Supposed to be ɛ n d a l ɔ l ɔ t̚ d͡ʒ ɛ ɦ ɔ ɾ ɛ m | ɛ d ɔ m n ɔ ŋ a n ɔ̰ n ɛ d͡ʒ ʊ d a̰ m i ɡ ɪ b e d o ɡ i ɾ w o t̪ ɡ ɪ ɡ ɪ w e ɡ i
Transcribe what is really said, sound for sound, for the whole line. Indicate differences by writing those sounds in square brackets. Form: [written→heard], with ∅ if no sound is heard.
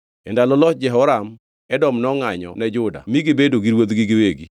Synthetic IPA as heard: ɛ n d a l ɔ l ɔ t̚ d͡ʒ ɛ ɦ ɔ ɾ [ɛ→a] m | ɛ d ɔ m n ɔ ŋ a [n→ɲ] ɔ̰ n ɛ d͡ʒ ʊ d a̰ m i ɡ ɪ b e d o ɡ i ɾ w o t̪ ɡ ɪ ɡ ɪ w e ɡ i